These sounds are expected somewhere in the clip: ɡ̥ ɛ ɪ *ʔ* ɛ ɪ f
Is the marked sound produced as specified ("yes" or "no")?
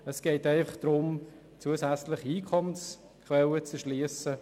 no